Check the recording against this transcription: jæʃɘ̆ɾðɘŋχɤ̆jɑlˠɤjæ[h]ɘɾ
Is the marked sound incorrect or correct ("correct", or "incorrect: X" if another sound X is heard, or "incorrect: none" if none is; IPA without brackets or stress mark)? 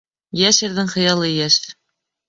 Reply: incorrect: ʃ